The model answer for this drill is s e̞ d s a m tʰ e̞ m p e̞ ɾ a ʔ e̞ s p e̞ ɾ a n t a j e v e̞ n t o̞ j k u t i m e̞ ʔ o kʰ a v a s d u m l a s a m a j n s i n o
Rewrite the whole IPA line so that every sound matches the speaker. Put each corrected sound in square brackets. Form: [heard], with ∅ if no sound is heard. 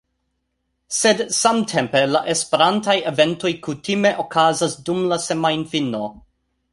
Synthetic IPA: s e̞ d s a m tʰ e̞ m p e̞ [l] a ʔ e̞ s p e̞ ɾ a n t a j e v e̞ n t o̞ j k u t i m e̞ ʔ o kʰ a [z] a s d u m l a s [e] m a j n [f] i n o